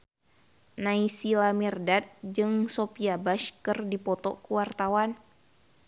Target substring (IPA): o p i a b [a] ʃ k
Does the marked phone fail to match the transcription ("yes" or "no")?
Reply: no